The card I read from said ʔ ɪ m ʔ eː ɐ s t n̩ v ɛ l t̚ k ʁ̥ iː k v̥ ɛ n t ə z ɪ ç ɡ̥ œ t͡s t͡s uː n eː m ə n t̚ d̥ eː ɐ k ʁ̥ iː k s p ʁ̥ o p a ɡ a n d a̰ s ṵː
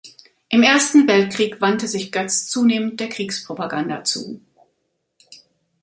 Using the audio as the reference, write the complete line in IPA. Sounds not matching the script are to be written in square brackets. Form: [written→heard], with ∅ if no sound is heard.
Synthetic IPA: ʔ ɪ m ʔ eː ɐ s t n̩ v ɛ l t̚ k ʁ̥ iː k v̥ [ɛ→a] n t ə z ɪ ç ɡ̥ œ t͡s t͡s uː n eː m ə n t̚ d̥ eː ɐ k ʁ̥ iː k s p ʁ̥ o p a ɡ a n d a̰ [s→t͡s] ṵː